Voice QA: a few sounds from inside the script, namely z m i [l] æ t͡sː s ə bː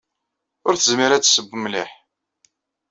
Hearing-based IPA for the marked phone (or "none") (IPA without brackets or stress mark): ɾ